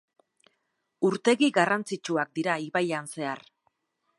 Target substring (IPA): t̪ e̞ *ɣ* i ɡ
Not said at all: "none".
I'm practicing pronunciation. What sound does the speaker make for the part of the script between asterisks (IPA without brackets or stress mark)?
ɣ